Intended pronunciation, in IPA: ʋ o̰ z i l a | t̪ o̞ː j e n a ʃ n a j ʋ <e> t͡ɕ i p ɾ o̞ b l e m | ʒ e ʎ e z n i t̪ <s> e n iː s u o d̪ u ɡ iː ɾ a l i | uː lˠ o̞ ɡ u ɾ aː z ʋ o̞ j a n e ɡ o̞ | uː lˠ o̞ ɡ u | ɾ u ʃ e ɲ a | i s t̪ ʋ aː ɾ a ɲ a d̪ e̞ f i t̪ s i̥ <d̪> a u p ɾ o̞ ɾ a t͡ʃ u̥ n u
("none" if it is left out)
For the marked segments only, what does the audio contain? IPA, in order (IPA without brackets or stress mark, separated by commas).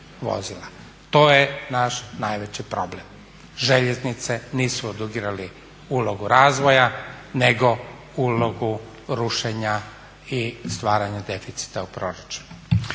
e, s, t̪